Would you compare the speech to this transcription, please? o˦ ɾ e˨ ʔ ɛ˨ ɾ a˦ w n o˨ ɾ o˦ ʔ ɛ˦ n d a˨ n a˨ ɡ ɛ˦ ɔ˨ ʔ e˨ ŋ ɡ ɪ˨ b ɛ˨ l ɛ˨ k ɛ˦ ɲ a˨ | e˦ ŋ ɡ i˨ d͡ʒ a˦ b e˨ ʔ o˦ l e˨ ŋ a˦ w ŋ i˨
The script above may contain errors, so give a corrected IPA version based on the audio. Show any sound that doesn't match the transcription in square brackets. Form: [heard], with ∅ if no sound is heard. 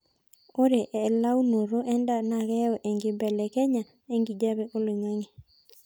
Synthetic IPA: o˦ ɾ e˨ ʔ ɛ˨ [l] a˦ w n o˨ ɾ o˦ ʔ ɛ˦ n d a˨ n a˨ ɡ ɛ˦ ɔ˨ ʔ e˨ ŋ ɡ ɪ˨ b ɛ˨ l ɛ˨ k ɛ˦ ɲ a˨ | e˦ ŋ ɡ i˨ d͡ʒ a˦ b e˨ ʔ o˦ l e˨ ŋ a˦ [∅] ŋ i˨